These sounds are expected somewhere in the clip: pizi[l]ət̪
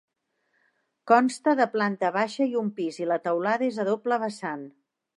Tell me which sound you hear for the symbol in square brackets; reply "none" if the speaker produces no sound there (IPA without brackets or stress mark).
l